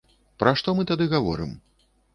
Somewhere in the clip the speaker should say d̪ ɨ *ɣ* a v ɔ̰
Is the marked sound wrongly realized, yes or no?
no